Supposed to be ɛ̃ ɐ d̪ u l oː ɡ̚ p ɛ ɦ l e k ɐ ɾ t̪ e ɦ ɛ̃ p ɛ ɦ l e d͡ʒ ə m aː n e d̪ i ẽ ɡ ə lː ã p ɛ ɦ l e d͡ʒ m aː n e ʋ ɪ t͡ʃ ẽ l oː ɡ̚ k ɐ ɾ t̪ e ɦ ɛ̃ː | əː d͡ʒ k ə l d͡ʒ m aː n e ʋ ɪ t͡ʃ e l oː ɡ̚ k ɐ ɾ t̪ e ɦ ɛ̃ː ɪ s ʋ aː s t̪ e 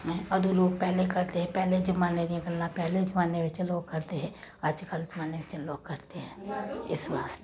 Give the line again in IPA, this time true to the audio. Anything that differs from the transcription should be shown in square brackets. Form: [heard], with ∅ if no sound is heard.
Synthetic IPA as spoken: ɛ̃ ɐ d̪ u l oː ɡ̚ p ɛ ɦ l e k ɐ ɾ t̪ e ɦ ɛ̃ p ɛ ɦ l e d͡ʒ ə m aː n e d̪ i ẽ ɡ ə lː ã p ɛ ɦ l e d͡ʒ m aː n e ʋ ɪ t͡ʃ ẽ l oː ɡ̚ k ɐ ɾ t̪ e ɦ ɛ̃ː | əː d͡ʒ k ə l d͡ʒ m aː n e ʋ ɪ t͡ʃ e l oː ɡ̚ k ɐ ɾ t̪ e ɦ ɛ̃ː ɪ s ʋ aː s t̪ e